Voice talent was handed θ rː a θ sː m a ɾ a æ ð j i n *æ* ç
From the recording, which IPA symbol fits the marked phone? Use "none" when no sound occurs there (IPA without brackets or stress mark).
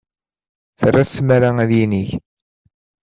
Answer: i